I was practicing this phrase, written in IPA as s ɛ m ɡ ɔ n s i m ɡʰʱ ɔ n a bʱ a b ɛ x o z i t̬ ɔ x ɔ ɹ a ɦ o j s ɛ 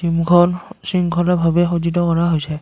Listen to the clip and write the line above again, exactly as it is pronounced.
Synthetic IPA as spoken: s i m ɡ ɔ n s i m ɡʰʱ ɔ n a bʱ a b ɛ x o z i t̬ ɔ k ɔ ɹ a ɦ o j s ɛ